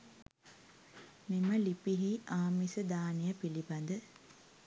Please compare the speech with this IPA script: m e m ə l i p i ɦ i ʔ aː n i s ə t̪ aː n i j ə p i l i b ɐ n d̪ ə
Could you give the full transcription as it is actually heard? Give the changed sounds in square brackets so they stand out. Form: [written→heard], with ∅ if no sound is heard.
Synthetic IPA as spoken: m [e→i] m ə l i p i ɦ i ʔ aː [n→m] i s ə [t̪→d̪] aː n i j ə p i l i b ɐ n d̪ ə